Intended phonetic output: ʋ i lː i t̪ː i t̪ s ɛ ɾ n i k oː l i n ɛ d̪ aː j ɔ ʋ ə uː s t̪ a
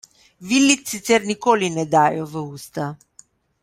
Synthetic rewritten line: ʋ i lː i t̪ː i t̪ s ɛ ɾ n i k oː l i n ɛ d̪ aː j ɔ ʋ ə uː s t̪ a